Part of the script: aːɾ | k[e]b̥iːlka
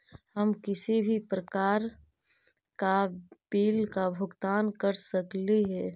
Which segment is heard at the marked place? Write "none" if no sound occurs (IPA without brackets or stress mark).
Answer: a